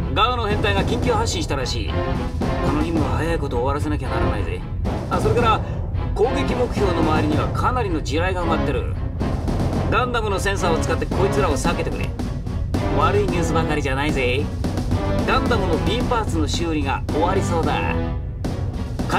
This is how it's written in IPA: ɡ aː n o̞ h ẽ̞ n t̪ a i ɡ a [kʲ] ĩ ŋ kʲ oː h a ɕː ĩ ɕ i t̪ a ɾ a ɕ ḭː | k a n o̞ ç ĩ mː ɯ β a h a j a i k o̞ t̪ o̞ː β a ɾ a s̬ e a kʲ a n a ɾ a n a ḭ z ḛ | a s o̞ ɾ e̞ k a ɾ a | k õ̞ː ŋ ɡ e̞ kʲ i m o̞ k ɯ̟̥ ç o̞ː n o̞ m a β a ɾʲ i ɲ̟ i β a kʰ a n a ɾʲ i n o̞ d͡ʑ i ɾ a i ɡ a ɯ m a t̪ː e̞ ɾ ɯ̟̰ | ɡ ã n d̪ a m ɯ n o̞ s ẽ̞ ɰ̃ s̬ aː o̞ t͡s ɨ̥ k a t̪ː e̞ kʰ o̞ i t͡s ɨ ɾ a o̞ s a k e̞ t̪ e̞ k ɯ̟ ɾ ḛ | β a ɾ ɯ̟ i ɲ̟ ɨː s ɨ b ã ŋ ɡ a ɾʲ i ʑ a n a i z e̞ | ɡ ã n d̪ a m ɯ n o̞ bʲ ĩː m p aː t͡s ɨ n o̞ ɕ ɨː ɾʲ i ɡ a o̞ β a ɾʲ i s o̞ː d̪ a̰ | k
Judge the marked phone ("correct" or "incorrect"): correct